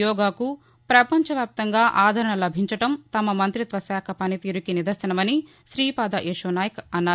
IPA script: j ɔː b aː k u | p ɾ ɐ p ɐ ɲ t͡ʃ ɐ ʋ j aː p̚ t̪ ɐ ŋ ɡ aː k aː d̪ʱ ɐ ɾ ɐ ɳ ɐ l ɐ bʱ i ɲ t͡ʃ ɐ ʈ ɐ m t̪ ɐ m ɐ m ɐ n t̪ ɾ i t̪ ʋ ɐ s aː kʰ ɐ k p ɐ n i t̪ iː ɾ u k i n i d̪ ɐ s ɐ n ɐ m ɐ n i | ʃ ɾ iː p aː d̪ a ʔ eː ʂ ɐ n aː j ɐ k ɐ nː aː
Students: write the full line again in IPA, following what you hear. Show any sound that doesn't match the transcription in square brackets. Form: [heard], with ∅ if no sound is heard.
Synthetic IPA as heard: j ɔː [ɡ] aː k u | p ɾ ɐ p ɐ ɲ t͡ʃ ɐ ʋ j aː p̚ t̪ ɐ ŋ ɡ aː [ʔ] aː d̪ʱ ɐ ɾ ɐ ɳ ɐ l ɐ bʱ i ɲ t͡ʃ ɐ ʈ ɐ m t̪ ɐ m ɐ m ɐ n t̪ ɾ i t̪ ʋ ɐ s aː kʰ ɐ [∅] p ɐ n i t̪ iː ɾ u k i n i d̪ ɐ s ɐ n ɐ m ɐ n i | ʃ ɾ iː p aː d̪ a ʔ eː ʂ ɐ n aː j ɐ k ɐ nː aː